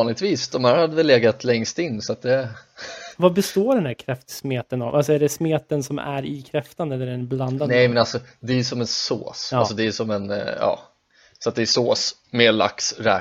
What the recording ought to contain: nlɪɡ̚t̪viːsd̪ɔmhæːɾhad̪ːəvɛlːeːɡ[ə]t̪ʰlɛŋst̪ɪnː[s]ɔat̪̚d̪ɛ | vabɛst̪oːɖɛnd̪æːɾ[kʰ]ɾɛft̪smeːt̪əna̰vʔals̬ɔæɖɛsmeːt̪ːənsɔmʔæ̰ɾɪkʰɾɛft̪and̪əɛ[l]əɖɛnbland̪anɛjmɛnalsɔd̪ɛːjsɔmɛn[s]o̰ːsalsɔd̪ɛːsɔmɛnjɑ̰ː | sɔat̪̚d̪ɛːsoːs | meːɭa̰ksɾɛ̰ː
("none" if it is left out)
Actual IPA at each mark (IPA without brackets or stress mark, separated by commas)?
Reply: a, s, kʰ, lː, s